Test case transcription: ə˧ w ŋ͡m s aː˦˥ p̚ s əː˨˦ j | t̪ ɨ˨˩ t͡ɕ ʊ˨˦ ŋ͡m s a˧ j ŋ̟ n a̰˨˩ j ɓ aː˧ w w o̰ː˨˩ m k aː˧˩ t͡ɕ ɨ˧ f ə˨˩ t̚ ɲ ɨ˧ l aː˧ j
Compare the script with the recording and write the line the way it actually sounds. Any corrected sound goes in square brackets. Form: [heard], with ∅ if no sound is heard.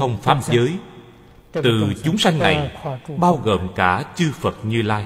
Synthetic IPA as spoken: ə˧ w ŋ͡m [f] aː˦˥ p̚ [z] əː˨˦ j | t̪ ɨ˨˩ t͡ɕ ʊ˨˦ ŋ͡m s a˧ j ŋ̟ n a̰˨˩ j ɓ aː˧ w [ɣ] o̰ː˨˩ m k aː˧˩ t͡ɕ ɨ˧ f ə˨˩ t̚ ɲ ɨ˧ l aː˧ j

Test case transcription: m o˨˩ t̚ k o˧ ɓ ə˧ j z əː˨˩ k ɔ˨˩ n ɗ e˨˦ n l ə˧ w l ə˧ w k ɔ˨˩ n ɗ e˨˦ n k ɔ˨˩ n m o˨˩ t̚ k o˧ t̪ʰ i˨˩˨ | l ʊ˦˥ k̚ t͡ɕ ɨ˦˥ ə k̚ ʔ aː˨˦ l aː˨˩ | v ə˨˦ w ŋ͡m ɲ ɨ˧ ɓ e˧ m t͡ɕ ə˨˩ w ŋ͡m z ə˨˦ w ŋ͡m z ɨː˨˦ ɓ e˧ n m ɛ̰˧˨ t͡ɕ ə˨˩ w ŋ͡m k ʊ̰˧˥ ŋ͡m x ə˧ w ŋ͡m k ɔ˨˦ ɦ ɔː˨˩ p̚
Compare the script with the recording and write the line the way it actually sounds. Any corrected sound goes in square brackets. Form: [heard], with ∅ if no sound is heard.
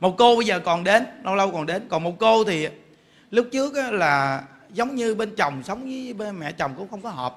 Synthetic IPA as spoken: m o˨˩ t̚ k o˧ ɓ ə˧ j z əː˨˩ k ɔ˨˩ n ɗ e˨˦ n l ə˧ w l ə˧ w k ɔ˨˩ n ɗ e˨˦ n k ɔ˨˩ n m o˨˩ t̚ k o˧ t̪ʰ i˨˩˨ | l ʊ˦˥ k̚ t͡ɕ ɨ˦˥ ə k̚ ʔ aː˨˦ l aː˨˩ | [z] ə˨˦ w ŋ͡m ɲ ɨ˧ ɓ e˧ [n] t͡ɕ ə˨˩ w ŋ͡m [s] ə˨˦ w ŋ͡m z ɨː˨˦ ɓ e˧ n m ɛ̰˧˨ t͡ɕ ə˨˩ w ŋ͡m k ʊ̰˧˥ ŋ͡m x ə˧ w ŋ͡m k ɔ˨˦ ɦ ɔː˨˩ p̚

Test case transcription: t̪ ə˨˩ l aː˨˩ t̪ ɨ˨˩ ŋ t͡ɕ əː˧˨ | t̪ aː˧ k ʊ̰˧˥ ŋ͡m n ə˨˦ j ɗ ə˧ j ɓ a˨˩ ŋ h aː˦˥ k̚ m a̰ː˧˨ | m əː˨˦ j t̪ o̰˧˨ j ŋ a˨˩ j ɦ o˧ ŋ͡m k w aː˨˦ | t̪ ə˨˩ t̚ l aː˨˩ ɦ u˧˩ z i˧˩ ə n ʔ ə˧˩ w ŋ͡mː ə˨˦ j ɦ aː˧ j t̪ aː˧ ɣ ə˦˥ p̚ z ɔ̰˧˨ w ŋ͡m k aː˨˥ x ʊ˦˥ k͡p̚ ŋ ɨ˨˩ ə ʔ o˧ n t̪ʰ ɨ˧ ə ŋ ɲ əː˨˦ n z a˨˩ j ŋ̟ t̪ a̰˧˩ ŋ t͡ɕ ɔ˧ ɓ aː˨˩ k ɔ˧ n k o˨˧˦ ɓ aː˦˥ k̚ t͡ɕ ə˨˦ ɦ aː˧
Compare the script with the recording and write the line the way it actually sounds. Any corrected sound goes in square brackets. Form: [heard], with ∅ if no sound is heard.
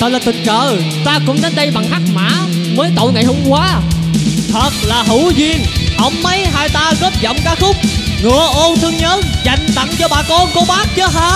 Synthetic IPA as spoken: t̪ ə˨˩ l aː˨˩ t̪ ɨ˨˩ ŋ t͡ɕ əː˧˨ | t̪ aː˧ k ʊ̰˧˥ ŋ͡m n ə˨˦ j ɗ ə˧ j ɓ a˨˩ ŋ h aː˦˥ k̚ m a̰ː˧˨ | m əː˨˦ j t̪ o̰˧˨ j ŋ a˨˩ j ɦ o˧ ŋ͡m k w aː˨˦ | [t̪ʰ] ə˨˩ t̚ l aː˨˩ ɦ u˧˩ z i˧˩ ə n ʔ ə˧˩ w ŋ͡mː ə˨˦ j ɦ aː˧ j t̪ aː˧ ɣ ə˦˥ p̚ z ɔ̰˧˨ w ŋ͡m k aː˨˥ x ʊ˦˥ k͡p̚ ŋ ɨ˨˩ ə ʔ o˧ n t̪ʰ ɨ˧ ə ŋ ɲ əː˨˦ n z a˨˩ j ŋ̟ t̪ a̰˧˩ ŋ t͡ɕ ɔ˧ ɓ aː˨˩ k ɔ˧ n k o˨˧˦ ɓ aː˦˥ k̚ t͡ɕ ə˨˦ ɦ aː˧

